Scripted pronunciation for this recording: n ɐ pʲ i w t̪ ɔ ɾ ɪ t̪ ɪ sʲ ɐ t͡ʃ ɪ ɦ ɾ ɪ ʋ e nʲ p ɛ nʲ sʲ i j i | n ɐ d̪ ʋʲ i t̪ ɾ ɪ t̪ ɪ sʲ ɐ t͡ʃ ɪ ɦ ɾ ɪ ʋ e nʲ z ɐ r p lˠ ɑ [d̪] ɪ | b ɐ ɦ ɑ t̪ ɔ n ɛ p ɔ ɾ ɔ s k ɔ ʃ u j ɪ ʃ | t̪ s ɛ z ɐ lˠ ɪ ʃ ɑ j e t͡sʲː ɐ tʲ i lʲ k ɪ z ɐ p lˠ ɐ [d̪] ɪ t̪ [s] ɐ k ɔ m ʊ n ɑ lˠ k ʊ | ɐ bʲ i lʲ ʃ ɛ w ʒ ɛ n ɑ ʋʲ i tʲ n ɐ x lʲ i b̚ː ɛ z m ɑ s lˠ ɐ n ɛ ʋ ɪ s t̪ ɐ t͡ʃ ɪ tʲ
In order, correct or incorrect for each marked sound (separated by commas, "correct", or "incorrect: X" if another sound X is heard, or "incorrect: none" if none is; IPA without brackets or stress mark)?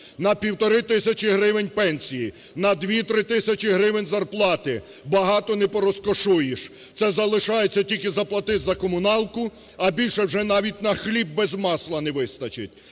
incorrect: t̪, incorrect: t̪, incorrect: z